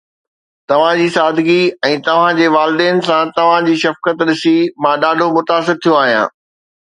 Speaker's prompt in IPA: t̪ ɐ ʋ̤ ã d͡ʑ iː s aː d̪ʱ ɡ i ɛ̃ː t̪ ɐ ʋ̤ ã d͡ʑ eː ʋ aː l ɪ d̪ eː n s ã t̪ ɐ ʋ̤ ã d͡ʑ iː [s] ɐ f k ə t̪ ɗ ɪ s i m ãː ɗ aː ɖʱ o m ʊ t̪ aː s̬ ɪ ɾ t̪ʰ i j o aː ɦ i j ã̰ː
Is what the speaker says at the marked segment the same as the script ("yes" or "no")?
no